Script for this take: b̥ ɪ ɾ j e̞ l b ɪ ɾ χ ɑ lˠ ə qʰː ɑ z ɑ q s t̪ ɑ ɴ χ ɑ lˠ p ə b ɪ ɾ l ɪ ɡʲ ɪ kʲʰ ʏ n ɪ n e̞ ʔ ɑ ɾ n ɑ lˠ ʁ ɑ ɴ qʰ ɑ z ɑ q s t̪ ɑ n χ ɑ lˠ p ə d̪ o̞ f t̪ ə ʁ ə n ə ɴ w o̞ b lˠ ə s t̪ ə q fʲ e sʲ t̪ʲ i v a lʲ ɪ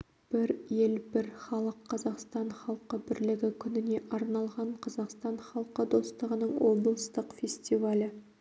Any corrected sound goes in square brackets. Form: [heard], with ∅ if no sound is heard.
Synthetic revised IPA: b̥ ɪ ɾ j e̞ l b ɪ ɾ χ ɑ lˠ ə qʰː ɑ z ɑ q s t̪ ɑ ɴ χ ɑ lˠ [q] ə b ɪ ɾ l ɪ ɡʲ ɪ kʲʰ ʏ n ɪ n e̞ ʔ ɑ ɾ n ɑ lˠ ʁ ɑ ɴ qʰ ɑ z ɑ q s t̪ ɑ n χ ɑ lˠ [q] ə d̪ o̞ [s] t̪ ə ʁ ə n ə ɴ w o̞ b lˠ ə s t̪ ə q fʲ e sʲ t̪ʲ i v a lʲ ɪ